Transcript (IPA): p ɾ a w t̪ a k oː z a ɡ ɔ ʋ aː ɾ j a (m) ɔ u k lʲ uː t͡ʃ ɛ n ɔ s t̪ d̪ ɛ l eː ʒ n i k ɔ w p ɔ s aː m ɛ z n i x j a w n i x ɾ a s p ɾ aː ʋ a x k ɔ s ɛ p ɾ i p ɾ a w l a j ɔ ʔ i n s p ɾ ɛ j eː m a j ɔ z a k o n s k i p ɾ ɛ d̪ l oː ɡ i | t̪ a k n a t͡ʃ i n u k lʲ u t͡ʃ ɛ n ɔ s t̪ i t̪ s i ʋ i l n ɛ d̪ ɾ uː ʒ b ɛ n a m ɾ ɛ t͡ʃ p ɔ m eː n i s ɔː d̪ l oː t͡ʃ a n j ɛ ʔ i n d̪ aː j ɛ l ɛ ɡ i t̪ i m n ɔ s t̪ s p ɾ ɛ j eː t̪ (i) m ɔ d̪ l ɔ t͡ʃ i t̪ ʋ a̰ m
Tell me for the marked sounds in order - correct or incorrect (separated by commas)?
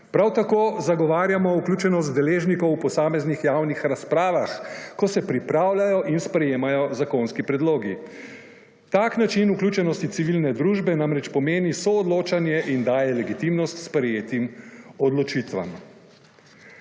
correct, correct